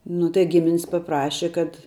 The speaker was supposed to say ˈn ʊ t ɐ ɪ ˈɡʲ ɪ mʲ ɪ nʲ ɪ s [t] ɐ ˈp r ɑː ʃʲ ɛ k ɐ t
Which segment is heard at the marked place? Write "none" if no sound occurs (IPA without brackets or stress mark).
p